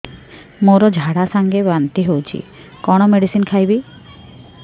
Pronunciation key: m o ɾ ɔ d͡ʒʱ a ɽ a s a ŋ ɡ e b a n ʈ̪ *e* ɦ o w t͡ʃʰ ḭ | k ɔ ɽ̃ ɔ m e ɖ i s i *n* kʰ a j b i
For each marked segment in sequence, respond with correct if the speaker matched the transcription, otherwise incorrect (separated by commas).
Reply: incorrect, correct